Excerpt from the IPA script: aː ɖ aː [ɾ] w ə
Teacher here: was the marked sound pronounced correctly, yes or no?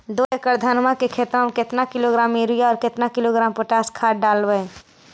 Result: no